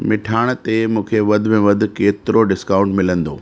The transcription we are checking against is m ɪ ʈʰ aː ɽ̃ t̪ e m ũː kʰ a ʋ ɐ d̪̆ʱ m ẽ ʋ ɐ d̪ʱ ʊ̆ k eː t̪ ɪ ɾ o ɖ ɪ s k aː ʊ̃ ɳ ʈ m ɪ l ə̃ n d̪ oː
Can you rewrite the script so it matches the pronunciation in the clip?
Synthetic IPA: m ɪ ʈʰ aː ɽ̃ t̪ e m ũː kʰ e ʋ ɐ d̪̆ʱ m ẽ ʋ ɐ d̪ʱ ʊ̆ k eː t̪ ɪ ɾ o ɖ ɪ s k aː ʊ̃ ɳ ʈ m ɪ l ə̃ n d̪ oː